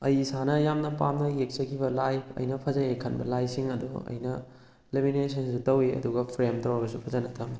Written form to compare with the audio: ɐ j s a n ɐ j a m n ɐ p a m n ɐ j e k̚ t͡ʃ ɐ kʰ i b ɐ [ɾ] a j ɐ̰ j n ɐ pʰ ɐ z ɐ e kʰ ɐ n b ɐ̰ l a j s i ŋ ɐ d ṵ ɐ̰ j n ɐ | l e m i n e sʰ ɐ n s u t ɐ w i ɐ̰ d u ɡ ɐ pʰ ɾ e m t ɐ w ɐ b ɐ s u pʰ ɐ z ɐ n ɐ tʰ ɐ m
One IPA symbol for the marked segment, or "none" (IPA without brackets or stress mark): l